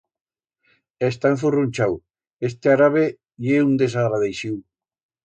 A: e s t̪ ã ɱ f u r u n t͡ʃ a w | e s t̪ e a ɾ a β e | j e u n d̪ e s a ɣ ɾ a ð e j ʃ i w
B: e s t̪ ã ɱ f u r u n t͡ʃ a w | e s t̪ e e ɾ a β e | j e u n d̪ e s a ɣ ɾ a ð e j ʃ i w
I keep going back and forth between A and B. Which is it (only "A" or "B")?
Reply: A